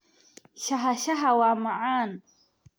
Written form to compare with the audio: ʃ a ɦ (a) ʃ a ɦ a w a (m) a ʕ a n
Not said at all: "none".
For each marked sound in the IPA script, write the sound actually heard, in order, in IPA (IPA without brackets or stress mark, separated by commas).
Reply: a, m